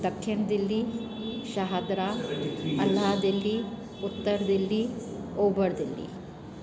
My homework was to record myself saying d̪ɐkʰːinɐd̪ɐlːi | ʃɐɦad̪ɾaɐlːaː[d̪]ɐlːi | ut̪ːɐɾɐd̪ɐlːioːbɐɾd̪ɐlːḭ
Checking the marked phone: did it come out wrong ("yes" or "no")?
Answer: no